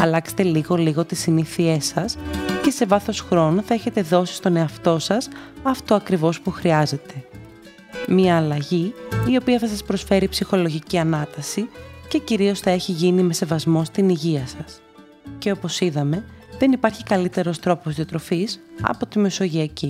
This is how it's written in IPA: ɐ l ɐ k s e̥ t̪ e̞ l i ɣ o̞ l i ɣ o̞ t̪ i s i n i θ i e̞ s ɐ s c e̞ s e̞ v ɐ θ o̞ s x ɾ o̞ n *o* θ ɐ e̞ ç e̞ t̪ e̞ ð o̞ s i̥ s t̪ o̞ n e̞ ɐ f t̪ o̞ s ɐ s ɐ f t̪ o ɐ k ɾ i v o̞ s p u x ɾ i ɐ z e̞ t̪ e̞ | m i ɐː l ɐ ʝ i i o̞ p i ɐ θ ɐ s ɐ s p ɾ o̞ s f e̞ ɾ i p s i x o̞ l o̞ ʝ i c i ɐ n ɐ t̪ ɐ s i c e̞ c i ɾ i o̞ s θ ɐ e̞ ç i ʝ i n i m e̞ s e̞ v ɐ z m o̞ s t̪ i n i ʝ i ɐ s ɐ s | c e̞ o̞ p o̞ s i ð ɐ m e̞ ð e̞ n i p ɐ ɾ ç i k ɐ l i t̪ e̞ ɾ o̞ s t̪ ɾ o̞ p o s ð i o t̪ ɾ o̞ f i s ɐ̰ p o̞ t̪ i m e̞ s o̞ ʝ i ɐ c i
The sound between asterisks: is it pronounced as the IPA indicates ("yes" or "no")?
yes